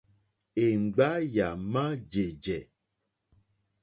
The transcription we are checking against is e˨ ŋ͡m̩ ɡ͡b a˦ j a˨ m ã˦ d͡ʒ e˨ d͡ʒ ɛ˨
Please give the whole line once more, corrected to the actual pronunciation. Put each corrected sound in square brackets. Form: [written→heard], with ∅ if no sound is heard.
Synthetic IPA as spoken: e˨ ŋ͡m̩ ɡ͡b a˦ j a˨ m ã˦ d͡ʒ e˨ d͡ʒ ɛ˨